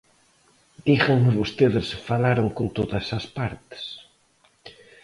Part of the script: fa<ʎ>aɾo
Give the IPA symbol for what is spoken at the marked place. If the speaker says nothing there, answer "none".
l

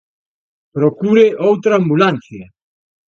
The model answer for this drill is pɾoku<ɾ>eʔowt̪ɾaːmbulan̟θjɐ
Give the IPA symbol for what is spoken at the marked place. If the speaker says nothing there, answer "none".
ɾ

